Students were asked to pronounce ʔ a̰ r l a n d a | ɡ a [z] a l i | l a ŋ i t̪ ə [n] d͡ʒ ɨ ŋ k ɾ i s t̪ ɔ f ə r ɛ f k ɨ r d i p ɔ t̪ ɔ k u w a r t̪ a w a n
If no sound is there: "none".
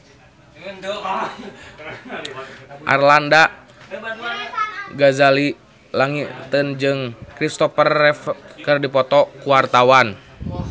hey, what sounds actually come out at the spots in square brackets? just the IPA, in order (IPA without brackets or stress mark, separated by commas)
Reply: z, n